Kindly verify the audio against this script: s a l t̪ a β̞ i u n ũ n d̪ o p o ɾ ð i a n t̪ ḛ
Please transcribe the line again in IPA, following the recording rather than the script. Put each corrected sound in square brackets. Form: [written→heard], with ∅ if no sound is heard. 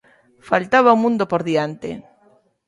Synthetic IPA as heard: [s→f] a l t̪ a β̞ [i→a] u [n→m] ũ n d̪ o p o ɾ ð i a n t̪ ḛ